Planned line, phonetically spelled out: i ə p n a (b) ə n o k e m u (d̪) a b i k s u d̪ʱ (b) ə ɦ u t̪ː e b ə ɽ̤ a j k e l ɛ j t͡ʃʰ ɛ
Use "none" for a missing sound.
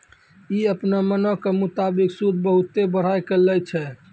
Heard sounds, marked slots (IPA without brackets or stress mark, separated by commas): m, t̪, b